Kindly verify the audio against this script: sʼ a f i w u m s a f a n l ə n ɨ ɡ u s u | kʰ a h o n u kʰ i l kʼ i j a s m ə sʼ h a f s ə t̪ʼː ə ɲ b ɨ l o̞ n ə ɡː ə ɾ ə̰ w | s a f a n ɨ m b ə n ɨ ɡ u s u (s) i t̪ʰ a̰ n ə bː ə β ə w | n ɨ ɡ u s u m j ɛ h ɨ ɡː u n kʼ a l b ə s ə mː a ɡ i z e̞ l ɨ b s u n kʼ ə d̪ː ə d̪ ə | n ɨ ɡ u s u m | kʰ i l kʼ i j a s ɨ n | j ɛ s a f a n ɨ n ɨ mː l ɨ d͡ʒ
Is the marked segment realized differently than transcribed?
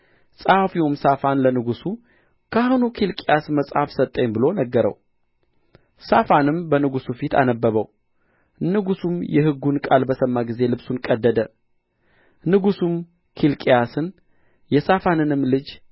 yes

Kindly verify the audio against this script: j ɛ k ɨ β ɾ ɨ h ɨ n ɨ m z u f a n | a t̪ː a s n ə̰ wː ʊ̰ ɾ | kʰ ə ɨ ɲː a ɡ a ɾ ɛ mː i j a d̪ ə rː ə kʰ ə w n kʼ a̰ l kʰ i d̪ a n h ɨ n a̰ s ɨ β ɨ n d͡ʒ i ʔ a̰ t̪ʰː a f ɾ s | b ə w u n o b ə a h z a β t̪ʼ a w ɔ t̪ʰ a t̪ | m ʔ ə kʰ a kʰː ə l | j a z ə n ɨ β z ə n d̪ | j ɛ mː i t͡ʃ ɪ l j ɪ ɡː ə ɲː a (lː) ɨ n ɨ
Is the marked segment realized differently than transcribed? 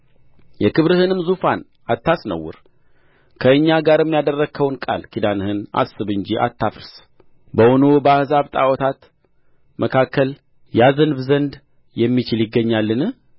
no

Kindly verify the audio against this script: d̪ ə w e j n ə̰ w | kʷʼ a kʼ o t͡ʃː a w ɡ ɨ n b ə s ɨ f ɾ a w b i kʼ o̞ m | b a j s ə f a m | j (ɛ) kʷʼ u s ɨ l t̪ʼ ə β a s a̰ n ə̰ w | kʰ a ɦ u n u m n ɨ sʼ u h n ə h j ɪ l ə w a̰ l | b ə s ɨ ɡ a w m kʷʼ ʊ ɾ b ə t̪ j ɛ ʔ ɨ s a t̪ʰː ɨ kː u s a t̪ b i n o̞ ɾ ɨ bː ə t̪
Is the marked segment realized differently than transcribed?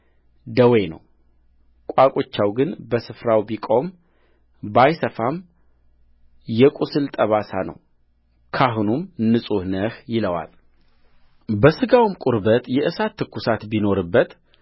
no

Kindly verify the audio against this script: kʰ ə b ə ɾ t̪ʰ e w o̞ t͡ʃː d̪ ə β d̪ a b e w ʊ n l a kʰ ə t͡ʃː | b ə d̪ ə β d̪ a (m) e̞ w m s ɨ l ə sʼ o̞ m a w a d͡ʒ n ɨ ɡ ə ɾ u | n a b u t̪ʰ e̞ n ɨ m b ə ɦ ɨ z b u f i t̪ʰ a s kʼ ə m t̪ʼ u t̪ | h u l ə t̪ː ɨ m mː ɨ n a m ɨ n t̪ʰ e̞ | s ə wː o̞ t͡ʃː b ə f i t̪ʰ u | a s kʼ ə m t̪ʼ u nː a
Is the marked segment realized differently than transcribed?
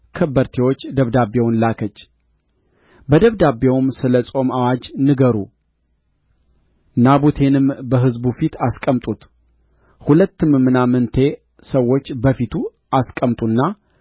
yes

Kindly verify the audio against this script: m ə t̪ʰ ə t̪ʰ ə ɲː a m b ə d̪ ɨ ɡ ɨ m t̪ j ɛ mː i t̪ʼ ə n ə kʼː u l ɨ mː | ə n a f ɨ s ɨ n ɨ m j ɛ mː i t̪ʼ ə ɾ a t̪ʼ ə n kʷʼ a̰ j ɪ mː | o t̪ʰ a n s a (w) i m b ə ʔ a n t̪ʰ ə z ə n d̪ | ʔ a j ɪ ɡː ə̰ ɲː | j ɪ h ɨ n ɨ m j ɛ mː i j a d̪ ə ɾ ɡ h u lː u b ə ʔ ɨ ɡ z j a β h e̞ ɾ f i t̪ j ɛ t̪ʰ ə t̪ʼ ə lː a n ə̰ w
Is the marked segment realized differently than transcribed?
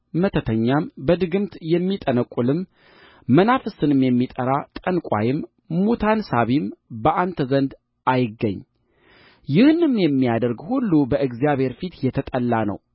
yes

